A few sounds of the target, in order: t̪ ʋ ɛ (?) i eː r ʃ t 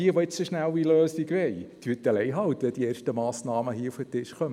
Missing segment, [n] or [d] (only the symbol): d